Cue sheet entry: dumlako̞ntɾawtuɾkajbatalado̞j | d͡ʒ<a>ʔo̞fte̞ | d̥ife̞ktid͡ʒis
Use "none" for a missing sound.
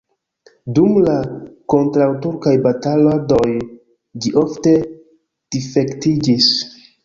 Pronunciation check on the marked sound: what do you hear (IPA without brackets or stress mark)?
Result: i